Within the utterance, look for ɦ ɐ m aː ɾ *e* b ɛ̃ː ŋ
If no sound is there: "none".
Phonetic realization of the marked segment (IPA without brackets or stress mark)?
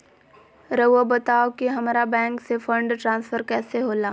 a